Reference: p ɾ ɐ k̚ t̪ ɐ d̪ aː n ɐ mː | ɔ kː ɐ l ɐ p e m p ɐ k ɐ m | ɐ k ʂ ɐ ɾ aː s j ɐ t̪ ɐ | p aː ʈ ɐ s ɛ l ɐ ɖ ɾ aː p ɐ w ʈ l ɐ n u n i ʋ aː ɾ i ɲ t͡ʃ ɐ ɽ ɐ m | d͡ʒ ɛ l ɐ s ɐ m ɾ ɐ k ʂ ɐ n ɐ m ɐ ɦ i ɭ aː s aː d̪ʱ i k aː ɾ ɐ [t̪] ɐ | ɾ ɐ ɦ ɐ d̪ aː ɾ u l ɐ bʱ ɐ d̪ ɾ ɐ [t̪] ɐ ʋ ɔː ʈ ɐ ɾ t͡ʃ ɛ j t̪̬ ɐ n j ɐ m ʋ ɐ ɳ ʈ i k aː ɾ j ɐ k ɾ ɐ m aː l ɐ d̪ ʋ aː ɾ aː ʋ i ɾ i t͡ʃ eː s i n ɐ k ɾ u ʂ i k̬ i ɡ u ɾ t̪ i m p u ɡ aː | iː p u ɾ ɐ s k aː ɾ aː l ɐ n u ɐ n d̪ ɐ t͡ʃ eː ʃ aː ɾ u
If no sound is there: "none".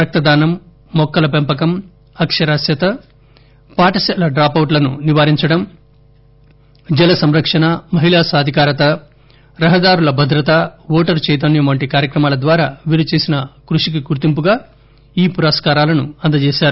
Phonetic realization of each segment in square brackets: t̪, t̪

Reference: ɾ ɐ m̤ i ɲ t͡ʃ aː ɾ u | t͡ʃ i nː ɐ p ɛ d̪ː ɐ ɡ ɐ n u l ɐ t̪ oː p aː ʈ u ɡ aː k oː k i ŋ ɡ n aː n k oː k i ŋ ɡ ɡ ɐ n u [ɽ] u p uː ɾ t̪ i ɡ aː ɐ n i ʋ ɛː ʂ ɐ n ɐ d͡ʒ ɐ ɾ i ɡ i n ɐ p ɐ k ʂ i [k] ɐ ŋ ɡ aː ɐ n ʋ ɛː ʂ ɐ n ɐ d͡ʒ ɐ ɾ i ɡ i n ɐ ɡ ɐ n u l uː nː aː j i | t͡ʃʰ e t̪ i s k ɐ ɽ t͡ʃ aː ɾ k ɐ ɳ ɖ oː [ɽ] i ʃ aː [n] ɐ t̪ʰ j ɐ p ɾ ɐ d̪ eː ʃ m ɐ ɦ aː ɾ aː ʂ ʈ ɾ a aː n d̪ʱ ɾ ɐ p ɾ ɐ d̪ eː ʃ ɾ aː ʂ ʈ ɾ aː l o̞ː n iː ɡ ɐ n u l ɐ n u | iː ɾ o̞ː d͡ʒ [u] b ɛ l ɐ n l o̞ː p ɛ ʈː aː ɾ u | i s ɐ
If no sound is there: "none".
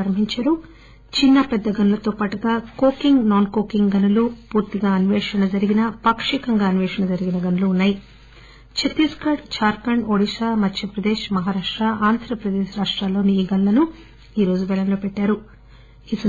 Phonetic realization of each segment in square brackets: l, k, ɽ, m, u

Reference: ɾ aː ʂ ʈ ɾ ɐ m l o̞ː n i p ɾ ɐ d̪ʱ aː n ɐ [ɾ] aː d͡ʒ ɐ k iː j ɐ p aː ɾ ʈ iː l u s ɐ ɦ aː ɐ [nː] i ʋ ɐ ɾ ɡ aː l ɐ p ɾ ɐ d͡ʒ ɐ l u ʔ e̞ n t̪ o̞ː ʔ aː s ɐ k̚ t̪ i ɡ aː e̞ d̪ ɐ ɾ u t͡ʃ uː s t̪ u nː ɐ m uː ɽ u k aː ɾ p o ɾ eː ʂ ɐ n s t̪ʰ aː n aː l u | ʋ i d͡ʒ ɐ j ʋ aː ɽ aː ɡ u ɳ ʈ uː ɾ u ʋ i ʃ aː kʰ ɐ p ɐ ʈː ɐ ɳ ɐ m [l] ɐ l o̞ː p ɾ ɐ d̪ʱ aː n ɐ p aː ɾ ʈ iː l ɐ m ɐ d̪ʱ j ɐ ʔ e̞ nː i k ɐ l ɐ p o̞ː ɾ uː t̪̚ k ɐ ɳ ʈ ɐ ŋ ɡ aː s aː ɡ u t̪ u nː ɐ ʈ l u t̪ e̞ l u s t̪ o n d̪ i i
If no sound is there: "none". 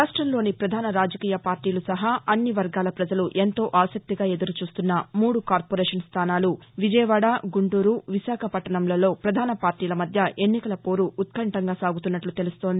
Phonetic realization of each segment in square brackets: ɾ, nː, l

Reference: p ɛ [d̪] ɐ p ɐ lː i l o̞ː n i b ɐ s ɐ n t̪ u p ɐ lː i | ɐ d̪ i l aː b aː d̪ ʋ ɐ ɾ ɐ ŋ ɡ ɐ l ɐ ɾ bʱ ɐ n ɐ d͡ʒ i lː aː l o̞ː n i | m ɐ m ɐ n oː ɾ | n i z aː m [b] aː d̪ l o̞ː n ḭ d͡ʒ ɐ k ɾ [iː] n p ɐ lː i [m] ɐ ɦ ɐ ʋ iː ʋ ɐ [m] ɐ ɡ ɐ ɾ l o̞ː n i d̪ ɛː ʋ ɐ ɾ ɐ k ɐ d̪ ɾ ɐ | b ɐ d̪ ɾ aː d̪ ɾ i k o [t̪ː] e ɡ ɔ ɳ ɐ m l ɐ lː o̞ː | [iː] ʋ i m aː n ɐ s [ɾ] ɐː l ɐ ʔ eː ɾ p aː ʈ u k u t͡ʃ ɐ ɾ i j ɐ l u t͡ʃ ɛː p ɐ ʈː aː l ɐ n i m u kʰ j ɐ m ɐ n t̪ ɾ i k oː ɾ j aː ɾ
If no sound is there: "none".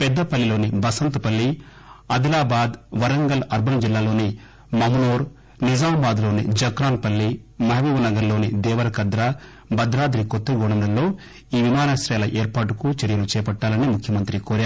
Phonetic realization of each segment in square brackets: d̪ː, b, aː, m, n, t̪ː, iː, ɾ

